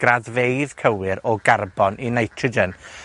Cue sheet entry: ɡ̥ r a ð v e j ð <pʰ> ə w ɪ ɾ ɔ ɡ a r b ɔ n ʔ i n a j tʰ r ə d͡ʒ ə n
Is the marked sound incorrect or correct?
incorrect